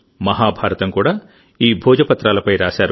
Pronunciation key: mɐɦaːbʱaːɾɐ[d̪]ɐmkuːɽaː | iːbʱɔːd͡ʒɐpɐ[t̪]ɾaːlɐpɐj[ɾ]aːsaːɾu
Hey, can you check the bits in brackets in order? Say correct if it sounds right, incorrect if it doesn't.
incorrect, correct, correct

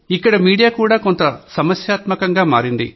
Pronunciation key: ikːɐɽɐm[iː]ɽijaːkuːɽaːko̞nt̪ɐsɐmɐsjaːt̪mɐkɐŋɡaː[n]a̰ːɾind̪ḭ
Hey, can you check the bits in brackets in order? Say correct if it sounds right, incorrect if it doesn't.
correct, incorrect

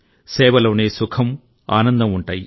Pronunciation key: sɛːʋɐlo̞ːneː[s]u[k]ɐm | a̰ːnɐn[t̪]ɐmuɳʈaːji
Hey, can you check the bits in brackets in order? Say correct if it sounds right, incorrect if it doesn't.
correct, incorrect, incorrect

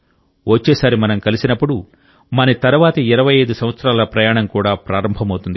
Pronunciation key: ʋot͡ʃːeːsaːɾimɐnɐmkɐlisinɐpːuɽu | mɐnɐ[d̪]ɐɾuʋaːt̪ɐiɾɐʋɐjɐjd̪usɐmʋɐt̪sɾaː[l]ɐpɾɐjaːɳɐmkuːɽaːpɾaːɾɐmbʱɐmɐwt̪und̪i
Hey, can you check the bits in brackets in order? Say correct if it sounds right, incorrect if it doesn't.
incorrect, correct

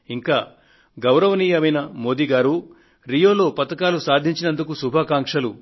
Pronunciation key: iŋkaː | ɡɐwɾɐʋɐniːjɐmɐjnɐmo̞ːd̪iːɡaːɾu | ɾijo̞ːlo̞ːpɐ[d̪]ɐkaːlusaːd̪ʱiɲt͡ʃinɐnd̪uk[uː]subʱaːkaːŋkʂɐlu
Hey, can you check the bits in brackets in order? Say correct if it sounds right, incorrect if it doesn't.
incorrect, incorrect

